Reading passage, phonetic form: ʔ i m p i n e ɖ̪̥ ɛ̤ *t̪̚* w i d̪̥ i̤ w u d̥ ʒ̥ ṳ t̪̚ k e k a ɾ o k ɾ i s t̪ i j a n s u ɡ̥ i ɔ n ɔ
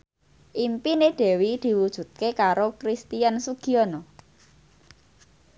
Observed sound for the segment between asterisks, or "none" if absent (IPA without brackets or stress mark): none